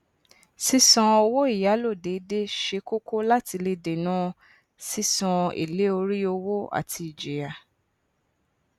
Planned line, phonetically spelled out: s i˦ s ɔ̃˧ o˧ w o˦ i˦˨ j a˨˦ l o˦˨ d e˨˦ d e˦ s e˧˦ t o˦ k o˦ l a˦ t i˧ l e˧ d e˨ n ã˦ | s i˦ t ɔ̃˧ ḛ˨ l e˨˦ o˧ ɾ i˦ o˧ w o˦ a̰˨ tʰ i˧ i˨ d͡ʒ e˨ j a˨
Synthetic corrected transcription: s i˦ s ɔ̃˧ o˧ w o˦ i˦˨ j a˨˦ l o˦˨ d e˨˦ d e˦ ʃ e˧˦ k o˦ k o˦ l a˦ t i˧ l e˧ d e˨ n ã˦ | s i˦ s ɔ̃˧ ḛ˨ l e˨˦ o˧ ɾ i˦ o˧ w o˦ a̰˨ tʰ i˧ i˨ d͡ʒ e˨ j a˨